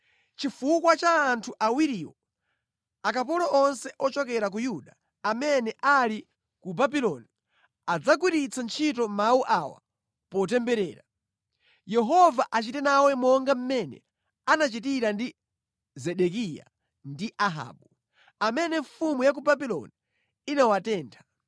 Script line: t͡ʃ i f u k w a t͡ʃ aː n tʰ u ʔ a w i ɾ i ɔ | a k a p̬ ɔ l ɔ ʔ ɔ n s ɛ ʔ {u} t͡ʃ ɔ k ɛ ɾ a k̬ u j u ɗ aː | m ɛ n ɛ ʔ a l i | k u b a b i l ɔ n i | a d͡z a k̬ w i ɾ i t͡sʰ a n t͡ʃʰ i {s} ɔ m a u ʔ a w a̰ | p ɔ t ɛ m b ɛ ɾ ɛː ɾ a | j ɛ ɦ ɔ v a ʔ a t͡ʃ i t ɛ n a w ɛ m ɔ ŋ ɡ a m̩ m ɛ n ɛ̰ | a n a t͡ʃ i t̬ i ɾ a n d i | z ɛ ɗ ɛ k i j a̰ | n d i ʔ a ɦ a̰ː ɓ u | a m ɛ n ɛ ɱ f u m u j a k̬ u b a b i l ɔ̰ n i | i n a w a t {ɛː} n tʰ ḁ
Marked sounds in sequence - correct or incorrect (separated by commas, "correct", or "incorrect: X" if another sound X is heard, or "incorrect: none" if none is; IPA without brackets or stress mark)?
incorrect: ɔ, incorrect: t, correct